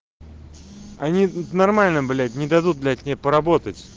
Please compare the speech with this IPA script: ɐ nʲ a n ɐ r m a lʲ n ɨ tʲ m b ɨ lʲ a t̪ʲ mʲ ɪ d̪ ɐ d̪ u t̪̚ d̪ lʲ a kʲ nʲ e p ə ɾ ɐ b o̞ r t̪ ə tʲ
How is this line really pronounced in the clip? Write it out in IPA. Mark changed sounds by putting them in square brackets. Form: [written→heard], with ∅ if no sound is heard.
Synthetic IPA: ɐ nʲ [a→i] n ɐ r m a lʲ n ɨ [tʲ→∅] m b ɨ lʲ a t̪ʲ [mʲ→nʲ] ɪ d̪ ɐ d̪ u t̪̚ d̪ lʲ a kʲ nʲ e p ə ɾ ɐ b o̞ [r→∅] t̪ ə tʲ